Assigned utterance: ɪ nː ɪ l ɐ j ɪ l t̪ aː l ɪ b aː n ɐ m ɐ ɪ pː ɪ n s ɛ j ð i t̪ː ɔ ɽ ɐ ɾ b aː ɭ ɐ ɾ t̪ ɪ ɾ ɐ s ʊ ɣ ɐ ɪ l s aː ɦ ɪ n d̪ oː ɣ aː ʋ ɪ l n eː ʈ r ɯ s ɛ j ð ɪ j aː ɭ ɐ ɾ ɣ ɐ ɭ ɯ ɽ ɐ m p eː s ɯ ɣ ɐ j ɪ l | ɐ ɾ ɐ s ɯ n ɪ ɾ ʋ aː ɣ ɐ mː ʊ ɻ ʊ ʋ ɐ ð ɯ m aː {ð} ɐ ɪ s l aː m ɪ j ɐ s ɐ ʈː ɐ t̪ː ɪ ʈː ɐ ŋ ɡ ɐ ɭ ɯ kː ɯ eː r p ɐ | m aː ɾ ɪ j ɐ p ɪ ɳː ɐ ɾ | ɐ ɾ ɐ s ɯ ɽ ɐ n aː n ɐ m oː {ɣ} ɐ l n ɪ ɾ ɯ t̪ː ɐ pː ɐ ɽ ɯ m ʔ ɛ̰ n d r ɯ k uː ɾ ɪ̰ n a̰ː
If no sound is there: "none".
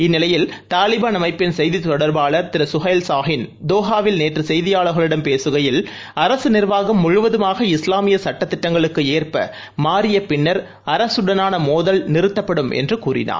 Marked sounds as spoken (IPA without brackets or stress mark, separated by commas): ɣ, ð